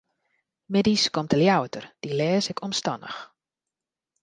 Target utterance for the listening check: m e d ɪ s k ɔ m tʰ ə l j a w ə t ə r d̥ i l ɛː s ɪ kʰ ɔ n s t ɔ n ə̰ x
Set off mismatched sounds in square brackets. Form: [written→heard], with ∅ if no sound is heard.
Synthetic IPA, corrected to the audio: m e d [ɪ→i] s k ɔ m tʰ ə l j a w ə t ə r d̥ i l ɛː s ɪ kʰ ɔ [n→m] s t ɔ n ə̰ x

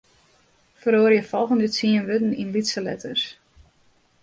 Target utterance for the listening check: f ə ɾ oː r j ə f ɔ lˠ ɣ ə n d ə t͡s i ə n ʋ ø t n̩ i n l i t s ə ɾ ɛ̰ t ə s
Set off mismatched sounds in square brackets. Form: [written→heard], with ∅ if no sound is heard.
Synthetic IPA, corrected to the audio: f ə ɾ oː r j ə f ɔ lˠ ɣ ə n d ə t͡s i ə n ʋ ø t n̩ i n l i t s ə [ɾ→l] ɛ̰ t ə s

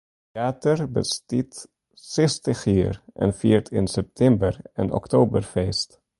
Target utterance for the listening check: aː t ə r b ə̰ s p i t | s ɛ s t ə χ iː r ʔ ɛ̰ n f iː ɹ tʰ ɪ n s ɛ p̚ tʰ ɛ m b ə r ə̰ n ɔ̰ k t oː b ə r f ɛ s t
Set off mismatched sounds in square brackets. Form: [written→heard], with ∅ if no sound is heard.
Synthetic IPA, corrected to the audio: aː t ə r b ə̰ s [p→t] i t | s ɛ s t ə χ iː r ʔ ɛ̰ n f iː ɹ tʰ ɪ n s ɛ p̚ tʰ ɛ m b ə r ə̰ n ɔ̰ k t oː b ə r f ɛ s t

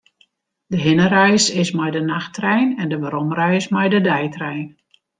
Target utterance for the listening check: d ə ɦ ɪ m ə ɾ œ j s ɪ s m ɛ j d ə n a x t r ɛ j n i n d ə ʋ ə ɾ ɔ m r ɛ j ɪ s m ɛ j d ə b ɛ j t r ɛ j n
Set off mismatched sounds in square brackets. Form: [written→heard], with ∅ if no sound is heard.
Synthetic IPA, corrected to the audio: d ə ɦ ɪ [m→n] ə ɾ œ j s ɪ s m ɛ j d ə n a x t r ɛ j n [i→ɛ] n d ə ʋ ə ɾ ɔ m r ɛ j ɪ s m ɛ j d ə [b→d] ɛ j t r ɛ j n

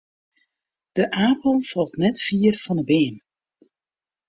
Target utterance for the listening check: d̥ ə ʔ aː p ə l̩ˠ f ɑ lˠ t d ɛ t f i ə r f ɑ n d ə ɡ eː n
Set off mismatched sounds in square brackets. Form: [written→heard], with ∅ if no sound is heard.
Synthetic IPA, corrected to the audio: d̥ ə ʔ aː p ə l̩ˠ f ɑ lˠ t [d→n] ɛ t f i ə r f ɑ n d ə [ɡ→b] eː n

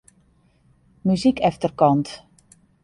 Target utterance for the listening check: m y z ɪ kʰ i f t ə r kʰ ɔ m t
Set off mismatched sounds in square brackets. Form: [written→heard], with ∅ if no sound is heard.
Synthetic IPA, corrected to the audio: m y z [ɪ→i] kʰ [i→ɛ] f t ə r [kʰ→k] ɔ [m→n] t

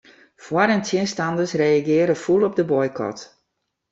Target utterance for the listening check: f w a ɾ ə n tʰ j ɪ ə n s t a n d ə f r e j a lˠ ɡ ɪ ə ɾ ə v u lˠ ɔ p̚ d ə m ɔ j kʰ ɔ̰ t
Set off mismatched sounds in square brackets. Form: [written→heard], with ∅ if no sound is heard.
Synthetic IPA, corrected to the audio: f w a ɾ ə n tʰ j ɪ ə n s t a n d ə [f→s] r e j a [lˠ→∅] ɡ ɪ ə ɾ ə [v→f] u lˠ ɔ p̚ d ə [m→b] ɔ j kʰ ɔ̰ t

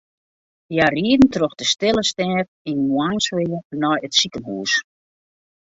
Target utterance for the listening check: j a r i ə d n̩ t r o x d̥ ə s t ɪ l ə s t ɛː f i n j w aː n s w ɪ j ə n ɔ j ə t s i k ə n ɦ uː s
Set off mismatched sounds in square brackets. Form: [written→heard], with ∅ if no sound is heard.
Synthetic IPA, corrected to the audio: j a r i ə d n̩ t r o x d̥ ə s t ɪ l ə s t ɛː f i n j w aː n s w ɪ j ə n ɔ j ə t s i k ə n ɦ uː s

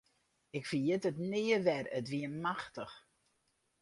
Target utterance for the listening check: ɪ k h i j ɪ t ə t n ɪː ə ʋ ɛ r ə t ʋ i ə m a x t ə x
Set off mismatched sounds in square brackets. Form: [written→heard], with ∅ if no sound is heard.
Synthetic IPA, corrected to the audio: ɪ k [h→f] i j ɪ t ə t n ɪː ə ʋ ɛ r ə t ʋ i ə m a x t ə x

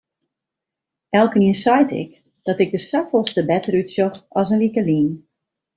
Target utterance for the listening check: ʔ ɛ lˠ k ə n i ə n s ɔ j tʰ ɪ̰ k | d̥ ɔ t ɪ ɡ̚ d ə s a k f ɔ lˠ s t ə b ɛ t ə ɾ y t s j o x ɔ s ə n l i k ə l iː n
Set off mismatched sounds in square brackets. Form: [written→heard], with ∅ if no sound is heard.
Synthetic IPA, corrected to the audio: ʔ ɛ lˠ k ə n i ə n s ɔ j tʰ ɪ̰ k | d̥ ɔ t ɪ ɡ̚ d ə s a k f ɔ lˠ s t ə b ɛ t ə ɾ y t s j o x ɔ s ə n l i k ə l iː n

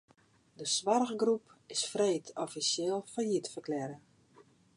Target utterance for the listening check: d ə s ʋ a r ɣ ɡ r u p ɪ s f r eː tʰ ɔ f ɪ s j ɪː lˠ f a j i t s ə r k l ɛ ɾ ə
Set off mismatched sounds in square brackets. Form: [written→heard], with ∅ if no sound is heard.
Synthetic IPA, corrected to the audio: d ə s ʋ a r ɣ ɡ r u p ɪ s f r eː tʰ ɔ f [ɪ→i] s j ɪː lˠ f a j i t [s→f] ə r k l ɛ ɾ ə

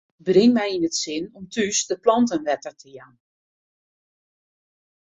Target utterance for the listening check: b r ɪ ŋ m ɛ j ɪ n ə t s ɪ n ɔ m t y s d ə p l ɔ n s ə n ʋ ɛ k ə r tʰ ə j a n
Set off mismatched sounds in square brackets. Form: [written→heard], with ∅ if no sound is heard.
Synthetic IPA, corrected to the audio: b r ɪ ŋ m ɛ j [ɪ→i] n ə t s ɪ n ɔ m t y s d ə p l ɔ n [s→t] ə n ʋ ɛ [k→t] ə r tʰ ə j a n

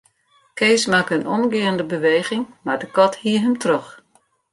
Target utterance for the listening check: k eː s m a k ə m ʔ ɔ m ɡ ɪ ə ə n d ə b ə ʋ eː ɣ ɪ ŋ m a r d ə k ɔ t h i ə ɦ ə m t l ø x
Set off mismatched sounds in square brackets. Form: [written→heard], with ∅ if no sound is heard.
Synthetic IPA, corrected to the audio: k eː s m a k ə [m→n] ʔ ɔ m ɡ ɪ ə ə n d ə b ə ʋ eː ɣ ɪ ŋ m a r d ə k ɔ t h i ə ɦ ə m t [l→r] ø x

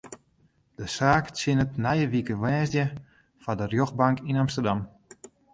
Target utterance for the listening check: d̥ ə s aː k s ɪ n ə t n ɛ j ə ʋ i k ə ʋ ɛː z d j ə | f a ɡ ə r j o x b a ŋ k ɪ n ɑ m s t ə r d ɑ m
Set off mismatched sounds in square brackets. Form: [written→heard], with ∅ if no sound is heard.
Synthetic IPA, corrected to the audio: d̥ ə s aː k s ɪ n ə t n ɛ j ə ʋ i k ə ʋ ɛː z d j ə | f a [ɡ→d] ə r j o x b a ŋ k [ɪ→i] n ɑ m s t ə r d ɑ m

